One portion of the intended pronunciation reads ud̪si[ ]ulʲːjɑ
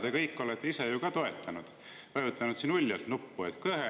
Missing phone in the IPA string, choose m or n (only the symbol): n